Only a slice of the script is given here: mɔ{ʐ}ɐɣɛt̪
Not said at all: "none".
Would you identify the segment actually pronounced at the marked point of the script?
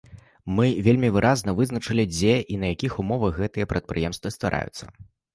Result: v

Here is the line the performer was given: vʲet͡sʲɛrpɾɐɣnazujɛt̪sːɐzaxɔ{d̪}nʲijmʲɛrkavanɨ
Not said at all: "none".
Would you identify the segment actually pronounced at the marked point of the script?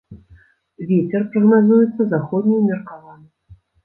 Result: d̪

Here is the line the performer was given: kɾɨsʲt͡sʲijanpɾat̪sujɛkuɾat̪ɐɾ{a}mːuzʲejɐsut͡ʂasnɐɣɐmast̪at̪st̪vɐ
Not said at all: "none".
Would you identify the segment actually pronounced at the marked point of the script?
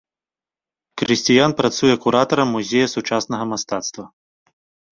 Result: ɐ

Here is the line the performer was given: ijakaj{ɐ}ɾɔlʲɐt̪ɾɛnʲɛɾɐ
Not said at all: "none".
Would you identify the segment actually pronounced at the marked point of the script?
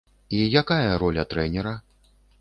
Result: ɐ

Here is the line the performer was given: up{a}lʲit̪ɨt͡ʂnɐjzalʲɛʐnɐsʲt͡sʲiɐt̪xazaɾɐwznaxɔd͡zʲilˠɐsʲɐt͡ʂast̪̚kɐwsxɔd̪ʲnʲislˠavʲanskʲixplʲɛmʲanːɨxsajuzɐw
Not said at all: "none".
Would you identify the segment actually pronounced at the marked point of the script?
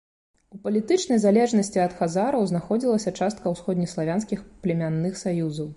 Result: ɐ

